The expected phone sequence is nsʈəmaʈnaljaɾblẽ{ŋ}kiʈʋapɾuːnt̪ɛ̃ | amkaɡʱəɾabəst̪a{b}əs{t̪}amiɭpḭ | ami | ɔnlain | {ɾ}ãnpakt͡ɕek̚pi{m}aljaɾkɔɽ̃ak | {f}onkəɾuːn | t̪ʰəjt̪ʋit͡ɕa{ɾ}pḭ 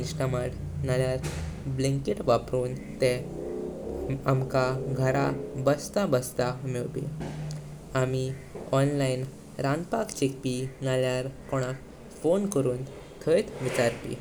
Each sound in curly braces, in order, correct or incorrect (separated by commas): correct, correct, correct, correct, incorrect, correct, correct